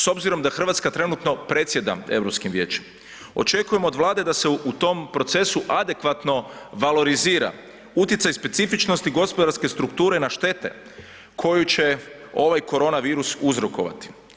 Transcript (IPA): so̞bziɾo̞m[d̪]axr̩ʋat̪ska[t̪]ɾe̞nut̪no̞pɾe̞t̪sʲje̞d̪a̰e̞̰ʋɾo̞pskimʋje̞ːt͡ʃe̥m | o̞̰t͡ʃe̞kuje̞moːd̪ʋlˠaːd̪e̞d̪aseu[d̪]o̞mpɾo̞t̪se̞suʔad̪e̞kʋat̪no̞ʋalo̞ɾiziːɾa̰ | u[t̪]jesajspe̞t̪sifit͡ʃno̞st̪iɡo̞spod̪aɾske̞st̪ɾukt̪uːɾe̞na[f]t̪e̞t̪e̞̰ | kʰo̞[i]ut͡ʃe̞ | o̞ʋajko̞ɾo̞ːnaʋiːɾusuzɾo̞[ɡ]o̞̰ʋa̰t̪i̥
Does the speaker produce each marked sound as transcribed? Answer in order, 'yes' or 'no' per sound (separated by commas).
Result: yes, yes, no, yes, no, no, no